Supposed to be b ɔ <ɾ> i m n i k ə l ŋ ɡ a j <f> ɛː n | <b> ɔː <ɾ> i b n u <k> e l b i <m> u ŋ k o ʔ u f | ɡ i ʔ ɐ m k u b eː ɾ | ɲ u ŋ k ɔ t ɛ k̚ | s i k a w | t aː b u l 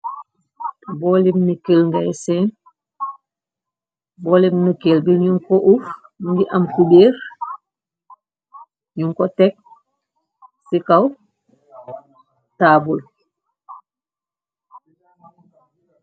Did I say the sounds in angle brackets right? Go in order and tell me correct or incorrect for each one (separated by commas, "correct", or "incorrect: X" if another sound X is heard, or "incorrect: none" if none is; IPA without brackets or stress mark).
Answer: incorrect: l, incorrect: s, correct, incorrect: l, correct, incorrect: ɲ